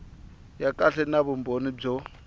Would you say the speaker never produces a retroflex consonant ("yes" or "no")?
no